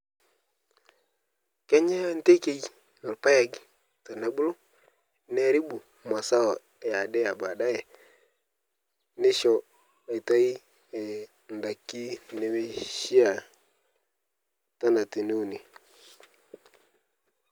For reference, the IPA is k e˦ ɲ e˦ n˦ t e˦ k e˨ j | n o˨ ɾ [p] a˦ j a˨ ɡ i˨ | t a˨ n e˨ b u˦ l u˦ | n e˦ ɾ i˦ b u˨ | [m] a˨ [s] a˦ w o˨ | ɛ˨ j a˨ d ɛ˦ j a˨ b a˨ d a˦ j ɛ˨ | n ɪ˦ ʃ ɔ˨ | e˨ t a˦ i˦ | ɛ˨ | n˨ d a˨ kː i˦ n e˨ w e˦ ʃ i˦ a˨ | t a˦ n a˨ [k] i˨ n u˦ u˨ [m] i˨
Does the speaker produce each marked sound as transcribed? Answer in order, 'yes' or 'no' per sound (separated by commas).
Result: yes, yes, yes, no, no